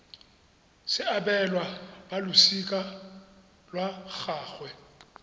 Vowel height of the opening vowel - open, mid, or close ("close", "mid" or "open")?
close